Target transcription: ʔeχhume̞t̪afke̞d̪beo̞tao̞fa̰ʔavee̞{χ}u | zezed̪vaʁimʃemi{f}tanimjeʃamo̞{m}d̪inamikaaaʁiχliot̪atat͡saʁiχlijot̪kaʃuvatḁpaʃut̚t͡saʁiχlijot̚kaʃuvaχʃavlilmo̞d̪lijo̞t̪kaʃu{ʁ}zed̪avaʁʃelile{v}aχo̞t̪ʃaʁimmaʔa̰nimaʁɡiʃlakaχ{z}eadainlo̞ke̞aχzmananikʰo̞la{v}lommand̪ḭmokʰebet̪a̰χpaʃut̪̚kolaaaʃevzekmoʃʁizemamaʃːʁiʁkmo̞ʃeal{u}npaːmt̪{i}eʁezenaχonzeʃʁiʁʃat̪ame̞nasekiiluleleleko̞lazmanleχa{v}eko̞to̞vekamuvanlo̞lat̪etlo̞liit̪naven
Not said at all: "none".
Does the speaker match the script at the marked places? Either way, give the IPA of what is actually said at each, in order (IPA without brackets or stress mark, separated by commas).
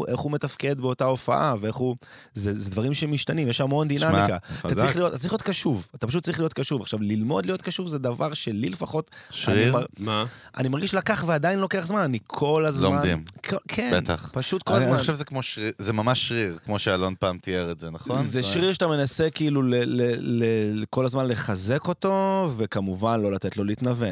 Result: χ, ʃ, n, v, f, v, z, o, i, z